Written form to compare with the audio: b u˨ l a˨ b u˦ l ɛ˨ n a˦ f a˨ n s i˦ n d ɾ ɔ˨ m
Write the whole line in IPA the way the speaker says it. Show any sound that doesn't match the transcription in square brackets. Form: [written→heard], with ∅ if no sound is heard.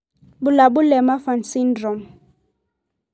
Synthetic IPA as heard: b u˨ l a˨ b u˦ l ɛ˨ [n→m] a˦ f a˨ n s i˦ n d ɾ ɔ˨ m